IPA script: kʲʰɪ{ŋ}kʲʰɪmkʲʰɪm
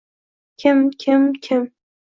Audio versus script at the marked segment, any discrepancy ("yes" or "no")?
yes